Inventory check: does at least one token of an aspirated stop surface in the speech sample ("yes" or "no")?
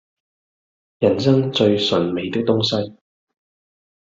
no